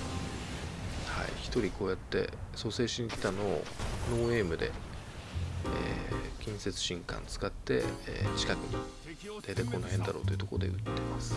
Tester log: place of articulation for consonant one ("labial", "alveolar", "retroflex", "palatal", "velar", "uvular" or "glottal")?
glottal